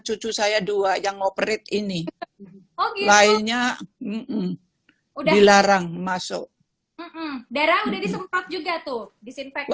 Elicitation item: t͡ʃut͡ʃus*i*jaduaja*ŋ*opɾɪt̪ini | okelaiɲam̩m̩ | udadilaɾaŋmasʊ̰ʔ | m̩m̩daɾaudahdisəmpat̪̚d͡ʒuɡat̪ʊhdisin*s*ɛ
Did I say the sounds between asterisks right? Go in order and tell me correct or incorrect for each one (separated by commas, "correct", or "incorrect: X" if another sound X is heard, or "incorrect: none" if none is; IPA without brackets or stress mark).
incorrect: a, correct, incorrect: f